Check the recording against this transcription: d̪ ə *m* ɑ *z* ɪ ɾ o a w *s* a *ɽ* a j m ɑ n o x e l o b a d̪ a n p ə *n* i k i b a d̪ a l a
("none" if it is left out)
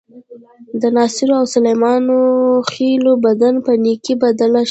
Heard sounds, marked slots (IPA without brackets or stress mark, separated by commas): n, s, s, l, n